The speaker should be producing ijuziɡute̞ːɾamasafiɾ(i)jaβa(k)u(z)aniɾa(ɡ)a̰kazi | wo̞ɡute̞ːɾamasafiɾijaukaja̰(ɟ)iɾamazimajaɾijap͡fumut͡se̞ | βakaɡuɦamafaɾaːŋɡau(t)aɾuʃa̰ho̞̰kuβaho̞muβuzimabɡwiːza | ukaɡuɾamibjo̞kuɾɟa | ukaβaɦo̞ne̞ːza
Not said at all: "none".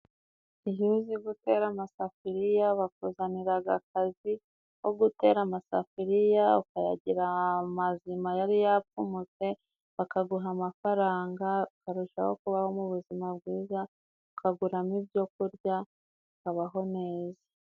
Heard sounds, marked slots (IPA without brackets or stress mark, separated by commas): i, k, z, ɡ, ɟ, k